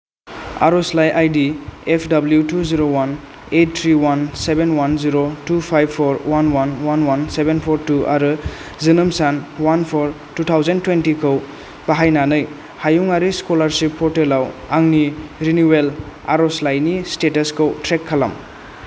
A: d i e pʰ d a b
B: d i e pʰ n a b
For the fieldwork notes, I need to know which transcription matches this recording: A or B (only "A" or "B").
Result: A